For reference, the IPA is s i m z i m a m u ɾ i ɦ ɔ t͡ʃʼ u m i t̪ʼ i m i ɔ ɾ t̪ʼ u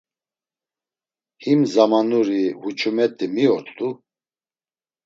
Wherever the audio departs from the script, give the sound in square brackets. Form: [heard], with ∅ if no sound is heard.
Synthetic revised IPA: [h] i m z [a] m a [n] u ɾ i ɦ [u] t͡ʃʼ u m [ɛ] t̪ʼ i m i ɔ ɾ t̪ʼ u